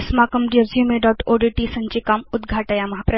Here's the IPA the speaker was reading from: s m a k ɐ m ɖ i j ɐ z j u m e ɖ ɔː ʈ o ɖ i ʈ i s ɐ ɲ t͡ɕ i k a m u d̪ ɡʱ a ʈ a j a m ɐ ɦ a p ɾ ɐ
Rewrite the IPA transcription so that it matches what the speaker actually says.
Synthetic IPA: s m a k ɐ m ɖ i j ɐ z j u m e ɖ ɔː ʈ o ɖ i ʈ i s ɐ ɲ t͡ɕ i k a m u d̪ ɡʱ a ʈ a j a m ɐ ɦ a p ɾ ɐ